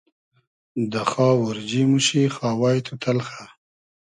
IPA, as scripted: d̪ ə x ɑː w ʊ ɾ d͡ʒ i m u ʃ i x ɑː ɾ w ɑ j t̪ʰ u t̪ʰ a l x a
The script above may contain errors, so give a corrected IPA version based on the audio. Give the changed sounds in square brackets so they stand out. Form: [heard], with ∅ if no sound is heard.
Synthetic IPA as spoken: d̪ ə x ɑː w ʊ ɾ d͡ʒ i m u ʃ i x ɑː [∅] w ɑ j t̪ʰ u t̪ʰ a l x a